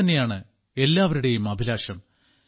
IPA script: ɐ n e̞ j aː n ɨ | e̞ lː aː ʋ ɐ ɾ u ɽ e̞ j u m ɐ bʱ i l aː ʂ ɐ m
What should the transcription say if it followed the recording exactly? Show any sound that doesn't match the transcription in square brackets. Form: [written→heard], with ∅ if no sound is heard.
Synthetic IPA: ɐ [n→nː] e̞ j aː [n→ɳ] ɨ | e̞ lː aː ʋ ɐ ɾ u ɽ e̞ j u m ɐ bʱ i l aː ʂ ɐ m

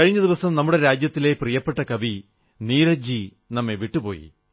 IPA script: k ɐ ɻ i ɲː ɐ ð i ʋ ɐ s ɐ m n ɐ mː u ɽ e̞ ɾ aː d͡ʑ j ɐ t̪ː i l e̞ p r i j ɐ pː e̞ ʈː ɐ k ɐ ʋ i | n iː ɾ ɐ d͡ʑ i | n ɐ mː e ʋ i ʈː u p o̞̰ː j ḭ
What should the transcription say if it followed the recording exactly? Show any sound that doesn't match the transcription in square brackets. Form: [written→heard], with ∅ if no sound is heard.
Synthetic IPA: k ɐ ɻ i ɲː ɐ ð i ʋ ɐ s ɐ m n ɐ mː u ɽ e̞ ɾ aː d͡ʑ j ɐ t̪ː i l e̞ p r i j ɐ pː e̞ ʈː ɐ k ɐ ʋ i | n iː ɾ ɐ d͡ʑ i | n ɐ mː e ʋ i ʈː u p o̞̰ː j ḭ

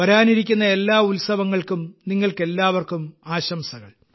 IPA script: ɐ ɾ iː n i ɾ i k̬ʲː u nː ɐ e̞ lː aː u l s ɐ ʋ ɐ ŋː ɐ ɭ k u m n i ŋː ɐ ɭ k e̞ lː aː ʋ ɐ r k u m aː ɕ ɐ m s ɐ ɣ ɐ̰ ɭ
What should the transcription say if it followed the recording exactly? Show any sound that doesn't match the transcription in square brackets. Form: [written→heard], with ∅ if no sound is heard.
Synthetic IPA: ɐ ɾ [iː→aː] n i ɾ i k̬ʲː u nː ɐ e̞ lː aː u l s ɐ ʋ ɐ ŋː ɐ ɭ k u m n i ŋː ɐ ɭ k e̞ lː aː ʋ ɐ r k u m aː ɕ ɐ m s ɐ ɣ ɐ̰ ɭ

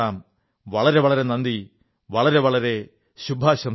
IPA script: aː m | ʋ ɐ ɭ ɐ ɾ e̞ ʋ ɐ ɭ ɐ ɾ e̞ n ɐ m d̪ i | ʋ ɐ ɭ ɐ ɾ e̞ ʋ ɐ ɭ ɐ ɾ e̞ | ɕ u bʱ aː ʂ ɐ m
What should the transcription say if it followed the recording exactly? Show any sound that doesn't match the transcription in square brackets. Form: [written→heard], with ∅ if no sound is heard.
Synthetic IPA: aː m | ʋ ɐ ɭ ɐ ɾ e̞ ʋ ɐ ɭ ɐ ɾ e̞ n ɐ [m→n] d̪ i | ʋ ɐ ɭ ɐ ɾ e̞ ʋ ɐ ɭ ɐ ɾ e̞ | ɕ u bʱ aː [ʂ→ɕ] ɐ m

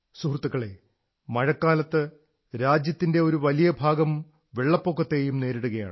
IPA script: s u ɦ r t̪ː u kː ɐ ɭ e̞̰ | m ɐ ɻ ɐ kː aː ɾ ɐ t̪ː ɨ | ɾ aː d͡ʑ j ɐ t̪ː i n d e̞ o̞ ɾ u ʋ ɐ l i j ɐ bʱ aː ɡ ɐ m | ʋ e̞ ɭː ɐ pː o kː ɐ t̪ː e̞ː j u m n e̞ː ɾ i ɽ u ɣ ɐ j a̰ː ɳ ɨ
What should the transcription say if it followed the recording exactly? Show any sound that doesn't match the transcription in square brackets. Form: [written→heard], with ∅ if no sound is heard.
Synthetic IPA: s u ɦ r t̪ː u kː ɐ ɭ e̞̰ | m ɐ ɻ ɐ kː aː [ɾ→l] ɐ t̪ː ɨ | ɾ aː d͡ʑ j ɐ t̪ː i n d e̞ o̞ ɾ u ʋ ɐ l i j ɐ bʱ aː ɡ ɐ m | ʋ e̞ ɭː ɐ pː o kː ɐ t̪ː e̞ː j u m n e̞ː ɾ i ɽ u ɣ ɐ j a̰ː ɳ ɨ

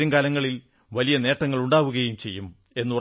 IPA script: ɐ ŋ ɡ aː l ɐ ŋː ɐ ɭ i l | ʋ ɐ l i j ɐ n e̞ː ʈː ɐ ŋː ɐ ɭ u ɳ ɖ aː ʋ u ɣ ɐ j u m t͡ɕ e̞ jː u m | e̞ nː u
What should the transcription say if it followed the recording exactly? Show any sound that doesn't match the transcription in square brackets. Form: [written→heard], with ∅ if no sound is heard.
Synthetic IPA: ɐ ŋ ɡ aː l ɐ ŋː ɐ ɭ i l | ʋ ɐ l i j ɐ n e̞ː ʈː ɐ ŋː ɐ ɭ u ɳ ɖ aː ʋ u ɣ ɐ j u m t͡ɕ e̞ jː u m | e̞ nː u

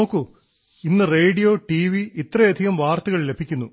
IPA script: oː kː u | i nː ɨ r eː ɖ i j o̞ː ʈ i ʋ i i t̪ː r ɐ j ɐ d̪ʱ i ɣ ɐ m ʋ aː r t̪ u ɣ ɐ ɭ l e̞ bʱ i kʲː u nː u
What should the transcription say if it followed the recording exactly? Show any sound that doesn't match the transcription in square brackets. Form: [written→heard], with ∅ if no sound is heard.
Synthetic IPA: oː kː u | i nː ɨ r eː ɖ i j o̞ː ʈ i ʋ i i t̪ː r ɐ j ɐ d̪ʱ i ɣ ɐ m ʋ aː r t̪ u ɣ ɐ ɭ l e̞ bʱ i kʲː u nː u

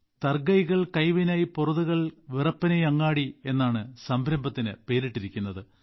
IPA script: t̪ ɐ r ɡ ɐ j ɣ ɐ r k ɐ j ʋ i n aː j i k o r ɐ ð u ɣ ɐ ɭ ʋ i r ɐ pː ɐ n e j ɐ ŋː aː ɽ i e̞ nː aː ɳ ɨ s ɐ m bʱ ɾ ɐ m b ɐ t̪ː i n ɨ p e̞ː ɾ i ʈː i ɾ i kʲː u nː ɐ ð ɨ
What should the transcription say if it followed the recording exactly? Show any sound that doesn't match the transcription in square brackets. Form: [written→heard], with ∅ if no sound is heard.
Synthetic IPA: t̪ ɐ r ɡ ɐ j ɣ ɐ [r→ɭ] k ɐ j ʋ i n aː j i [k→p] o r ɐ ð u ɣ ɐ ɭ ʋ i r ɐ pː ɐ n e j ɐ ŋː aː ɽ i e̞ nː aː ɳ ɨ s ɐ m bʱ ɾ ɐ m b ɐ t̪ː i n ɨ p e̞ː ɾ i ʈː i ɾ i kʲː u nː ɐ ð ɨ

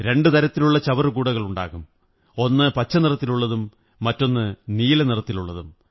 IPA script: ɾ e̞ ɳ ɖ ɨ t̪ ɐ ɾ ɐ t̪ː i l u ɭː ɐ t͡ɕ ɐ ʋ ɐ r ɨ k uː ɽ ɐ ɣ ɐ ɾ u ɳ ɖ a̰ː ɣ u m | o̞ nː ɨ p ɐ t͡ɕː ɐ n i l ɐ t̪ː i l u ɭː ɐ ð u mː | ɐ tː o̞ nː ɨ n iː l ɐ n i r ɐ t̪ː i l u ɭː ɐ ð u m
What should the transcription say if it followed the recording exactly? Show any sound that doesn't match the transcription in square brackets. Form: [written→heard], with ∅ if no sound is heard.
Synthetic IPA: ɾ e̞ ɳ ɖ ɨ t̪ ɐ ɾ ɐ t̪ː i l u ɭː ɐ t͡ɕ ɐ ʋ ɐ r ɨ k uː ɽ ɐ ɣ ɐ [ɾ→ɭ] u ɳ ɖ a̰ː ɣ u m | o̞ nː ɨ p ɐ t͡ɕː ɐ n i [l→r] ɐ t̪ː i l u ɭː ɐ ð u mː | ɐ tː o̞ nː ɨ n iː l ɐ n i r ɐ t̪ː i l u ɭː ɐ ð u m

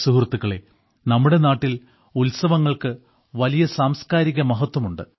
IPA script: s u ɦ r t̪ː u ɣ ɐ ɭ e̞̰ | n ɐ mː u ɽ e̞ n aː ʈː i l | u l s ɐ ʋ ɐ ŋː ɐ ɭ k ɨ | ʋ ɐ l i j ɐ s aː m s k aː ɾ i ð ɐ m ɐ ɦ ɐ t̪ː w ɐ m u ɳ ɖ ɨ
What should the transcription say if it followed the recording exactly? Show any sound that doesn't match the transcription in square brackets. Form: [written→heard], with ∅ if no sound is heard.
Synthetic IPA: s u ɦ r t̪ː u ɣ ɐ ɭ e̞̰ | n ɐ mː u ɽ e̞ n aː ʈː i l | u l s ɐ ʋ ɐ ŋː ɐ ɭ k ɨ | ʋ ɐ l i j ɐ s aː m s k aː ɾ i [ð→ɣ] ɐ m ɐ ɦ ɐ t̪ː w ɐ m u ɳ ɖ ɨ

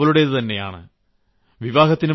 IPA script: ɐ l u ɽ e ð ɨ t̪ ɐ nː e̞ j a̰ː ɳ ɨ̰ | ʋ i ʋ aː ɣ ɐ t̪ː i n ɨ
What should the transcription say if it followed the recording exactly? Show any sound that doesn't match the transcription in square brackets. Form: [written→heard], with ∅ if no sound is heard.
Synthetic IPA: ɐ l u ɽ e ð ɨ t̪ ɐ nː e̞ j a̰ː ɳ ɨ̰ | ʋ i ʋ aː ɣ ɐ t̪ː i n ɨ

